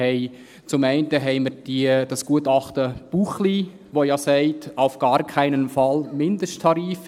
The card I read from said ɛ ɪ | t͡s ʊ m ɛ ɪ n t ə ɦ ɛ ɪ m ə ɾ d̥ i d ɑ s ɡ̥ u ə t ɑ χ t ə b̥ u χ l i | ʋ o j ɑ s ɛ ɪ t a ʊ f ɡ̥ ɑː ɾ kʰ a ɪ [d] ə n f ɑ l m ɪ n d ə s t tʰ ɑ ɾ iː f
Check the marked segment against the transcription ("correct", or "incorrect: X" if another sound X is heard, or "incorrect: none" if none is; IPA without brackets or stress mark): incorrect: n